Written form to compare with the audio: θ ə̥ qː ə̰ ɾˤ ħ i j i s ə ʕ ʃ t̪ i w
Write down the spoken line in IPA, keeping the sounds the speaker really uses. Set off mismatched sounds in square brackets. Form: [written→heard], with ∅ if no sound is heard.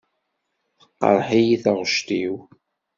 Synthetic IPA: θ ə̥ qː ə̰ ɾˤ ħ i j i [s→θ] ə [ʕ→ʁ] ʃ t̪ i w